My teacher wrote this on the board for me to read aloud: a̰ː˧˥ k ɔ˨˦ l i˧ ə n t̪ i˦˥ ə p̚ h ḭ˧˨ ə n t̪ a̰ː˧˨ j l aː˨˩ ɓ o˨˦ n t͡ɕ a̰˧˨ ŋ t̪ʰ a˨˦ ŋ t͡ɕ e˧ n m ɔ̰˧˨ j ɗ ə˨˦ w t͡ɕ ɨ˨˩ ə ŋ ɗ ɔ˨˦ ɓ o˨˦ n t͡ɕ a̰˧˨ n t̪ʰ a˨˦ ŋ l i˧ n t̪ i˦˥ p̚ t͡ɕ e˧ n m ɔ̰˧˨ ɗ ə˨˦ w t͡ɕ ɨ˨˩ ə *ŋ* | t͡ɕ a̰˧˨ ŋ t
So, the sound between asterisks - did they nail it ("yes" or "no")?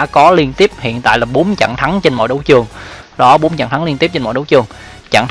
yes